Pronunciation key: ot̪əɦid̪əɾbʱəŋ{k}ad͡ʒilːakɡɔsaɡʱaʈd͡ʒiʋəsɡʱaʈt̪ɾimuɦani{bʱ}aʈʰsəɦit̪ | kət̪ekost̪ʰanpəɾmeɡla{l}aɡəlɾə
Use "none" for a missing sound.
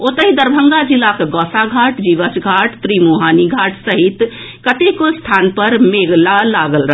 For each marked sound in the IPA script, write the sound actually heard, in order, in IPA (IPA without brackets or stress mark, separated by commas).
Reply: ɡ, ɡʱ, l